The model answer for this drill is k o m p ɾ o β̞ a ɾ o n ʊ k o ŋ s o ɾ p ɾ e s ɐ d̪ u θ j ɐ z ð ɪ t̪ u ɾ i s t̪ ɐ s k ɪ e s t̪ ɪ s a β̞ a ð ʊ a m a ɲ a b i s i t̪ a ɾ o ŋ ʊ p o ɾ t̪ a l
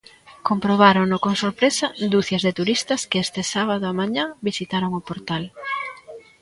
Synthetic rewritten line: k o m p ɾ o β̞ a ɾ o n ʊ k o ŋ s o ɾ p ɾ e s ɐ d̪ u θ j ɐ z ð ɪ t̪ u ɾ i s t̪ ɐ s k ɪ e s t̪ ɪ s a β̞ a ð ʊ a m a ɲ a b i s i t̪ a ɾ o ŋ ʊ p o ɾ t̪ a l